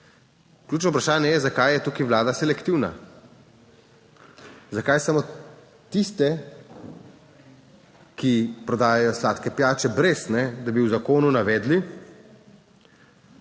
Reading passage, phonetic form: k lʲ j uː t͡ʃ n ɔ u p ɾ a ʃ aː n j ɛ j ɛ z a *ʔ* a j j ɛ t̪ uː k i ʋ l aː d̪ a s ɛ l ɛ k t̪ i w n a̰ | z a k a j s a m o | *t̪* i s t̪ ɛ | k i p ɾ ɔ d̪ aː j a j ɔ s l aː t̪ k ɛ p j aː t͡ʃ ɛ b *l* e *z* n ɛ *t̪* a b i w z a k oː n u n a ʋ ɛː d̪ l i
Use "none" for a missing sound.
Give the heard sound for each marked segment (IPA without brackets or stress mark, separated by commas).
k, t̪, ɾ, s, d̪